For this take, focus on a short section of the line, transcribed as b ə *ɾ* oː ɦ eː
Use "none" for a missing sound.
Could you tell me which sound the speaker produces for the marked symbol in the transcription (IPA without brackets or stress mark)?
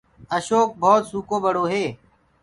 ɽ